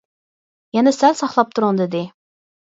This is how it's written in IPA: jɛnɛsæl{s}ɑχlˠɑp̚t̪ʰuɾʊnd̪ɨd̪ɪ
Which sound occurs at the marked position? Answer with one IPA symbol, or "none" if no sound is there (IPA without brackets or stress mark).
s